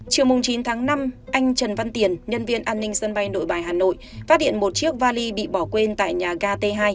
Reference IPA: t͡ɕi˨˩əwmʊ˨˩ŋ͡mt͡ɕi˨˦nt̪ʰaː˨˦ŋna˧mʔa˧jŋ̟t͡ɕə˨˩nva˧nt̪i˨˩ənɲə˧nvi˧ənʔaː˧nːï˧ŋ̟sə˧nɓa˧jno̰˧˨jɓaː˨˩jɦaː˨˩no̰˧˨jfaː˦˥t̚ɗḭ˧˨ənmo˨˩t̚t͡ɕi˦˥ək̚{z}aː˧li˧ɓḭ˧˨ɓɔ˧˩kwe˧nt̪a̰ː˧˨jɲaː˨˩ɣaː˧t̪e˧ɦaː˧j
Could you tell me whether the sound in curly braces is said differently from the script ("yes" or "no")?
yes